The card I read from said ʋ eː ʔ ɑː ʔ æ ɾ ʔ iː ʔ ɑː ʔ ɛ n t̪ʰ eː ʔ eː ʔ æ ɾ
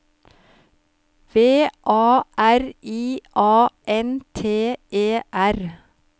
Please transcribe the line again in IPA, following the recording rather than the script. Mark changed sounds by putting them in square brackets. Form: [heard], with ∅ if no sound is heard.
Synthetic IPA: ʋ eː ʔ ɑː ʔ æ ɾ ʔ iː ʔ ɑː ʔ ɛ n t̪ʰ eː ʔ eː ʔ æ ɾ